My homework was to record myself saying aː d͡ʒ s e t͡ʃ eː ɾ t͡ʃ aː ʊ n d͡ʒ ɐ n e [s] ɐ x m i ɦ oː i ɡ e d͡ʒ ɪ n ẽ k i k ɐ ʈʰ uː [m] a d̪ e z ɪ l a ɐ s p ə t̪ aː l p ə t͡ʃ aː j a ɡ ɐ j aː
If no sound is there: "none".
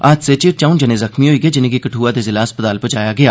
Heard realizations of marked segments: z, none

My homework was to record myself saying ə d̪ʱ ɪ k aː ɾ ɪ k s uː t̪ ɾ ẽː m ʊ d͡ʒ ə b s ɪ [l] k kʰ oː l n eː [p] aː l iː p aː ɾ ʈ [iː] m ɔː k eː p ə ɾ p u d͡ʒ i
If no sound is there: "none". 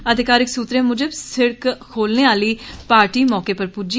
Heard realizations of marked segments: ɽ, none, iː

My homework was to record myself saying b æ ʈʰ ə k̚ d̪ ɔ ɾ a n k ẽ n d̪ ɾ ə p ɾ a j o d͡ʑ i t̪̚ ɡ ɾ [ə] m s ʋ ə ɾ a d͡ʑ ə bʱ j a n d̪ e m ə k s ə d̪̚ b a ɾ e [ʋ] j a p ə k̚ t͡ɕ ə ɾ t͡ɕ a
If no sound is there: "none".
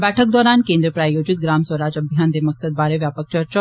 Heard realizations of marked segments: a, ʋ

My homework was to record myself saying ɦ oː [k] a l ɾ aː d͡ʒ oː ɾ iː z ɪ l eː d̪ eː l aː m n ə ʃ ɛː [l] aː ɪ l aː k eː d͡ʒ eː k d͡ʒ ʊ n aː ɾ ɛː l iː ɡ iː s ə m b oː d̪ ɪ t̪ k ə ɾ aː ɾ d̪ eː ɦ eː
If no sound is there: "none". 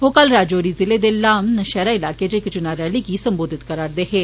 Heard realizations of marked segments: k, ɾ

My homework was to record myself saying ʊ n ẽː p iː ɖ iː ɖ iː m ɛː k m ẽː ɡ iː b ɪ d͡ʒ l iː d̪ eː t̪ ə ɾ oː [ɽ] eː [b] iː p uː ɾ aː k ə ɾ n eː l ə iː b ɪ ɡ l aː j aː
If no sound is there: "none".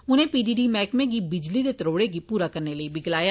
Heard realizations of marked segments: ɽ, ɡ

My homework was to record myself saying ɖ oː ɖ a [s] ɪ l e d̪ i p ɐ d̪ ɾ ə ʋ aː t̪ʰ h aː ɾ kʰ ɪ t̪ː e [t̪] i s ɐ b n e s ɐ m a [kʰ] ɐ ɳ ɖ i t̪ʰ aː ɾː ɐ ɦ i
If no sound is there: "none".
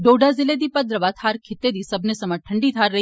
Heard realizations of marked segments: z, d̪, ʈʰ

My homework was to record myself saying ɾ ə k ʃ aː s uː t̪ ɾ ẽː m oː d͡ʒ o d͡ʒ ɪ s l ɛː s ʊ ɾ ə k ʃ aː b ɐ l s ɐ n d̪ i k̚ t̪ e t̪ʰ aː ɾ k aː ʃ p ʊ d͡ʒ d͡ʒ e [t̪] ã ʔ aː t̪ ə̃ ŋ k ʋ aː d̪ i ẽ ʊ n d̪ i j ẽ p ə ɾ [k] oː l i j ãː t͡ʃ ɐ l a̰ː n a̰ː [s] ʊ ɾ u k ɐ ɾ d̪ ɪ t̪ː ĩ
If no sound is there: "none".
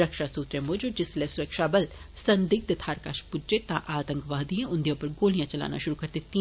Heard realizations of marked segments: t̪, ɡ, ʃ

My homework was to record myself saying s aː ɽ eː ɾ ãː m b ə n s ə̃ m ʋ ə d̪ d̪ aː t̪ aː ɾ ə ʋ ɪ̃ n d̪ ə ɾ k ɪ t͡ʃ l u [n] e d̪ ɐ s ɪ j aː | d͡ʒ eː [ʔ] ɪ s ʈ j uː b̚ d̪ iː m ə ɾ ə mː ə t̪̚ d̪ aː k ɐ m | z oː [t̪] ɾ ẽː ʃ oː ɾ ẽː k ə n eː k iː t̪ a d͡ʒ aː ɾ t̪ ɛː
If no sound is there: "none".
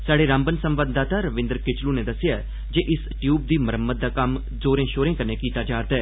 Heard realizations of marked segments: n, ʔ, none

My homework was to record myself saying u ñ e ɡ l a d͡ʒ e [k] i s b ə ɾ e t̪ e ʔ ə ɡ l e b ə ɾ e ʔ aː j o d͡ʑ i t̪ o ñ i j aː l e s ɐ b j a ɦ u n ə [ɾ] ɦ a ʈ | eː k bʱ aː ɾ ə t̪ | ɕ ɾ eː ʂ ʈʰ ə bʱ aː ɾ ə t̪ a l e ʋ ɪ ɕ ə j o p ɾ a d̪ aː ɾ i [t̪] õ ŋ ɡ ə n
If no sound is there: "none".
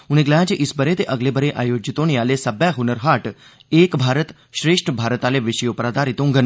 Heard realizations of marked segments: ʔ, ɾ, t̪

